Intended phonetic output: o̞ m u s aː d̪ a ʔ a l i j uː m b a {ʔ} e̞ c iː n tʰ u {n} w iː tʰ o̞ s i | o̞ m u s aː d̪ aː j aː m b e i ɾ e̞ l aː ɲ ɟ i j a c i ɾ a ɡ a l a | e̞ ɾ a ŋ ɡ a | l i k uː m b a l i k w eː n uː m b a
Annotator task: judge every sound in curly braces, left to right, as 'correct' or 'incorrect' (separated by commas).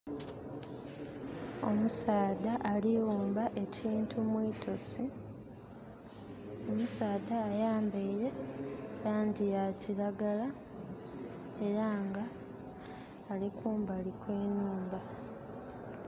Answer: correct, incorrect